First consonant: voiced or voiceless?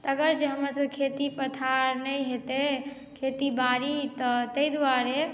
voiceless